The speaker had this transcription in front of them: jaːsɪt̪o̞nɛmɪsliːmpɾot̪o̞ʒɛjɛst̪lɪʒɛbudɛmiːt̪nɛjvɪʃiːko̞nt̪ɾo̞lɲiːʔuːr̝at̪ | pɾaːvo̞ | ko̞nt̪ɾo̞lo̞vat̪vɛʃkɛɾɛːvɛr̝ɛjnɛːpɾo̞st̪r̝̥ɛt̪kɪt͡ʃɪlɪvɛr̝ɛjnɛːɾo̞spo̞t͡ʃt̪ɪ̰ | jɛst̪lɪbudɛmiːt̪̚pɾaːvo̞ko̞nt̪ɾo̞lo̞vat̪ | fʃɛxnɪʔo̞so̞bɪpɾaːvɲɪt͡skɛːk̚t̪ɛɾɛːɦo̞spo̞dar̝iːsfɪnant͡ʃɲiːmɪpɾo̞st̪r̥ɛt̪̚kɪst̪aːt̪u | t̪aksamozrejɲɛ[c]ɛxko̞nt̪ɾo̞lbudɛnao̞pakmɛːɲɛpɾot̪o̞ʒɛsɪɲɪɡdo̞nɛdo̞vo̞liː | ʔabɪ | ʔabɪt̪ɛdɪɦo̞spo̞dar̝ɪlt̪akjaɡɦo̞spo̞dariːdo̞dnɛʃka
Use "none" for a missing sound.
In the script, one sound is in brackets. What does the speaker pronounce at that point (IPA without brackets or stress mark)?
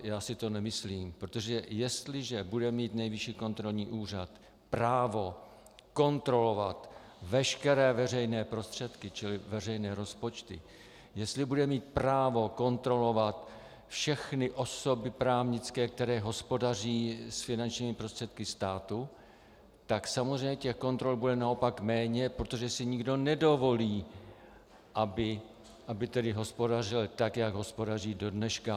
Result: c